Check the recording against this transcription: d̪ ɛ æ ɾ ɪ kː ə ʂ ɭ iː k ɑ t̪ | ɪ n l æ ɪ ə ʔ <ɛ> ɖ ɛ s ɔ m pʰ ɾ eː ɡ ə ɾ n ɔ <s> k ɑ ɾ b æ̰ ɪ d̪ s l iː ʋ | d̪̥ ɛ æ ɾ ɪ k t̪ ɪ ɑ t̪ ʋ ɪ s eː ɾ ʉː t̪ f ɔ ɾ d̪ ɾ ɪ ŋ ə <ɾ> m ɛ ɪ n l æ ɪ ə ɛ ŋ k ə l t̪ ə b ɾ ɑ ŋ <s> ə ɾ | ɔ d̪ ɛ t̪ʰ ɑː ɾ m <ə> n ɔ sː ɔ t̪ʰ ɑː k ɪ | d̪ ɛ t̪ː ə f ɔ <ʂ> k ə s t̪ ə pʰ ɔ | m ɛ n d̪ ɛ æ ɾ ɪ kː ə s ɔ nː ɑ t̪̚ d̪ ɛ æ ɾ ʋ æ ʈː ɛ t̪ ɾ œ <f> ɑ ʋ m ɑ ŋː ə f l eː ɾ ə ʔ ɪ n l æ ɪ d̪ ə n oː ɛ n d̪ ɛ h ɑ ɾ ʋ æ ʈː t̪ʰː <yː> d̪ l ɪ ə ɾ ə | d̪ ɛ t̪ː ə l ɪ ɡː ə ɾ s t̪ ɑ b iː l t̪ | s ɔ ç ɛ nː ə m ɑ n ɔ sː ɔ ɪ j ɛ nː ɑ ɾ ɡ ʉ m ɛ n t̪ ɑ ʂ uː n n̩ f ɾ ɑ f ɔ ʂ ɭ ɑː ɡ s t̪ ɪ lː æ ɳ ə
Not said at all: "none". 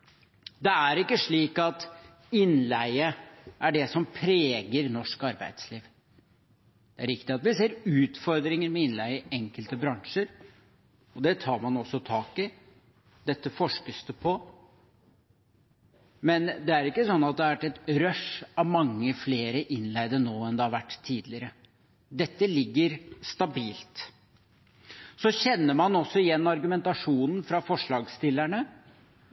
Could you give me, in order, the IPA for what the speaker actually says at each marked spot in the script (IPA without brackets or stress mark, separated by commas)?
æ, ʂ, ɾ, ʂ, ɑ, ʂ, ʂ, iː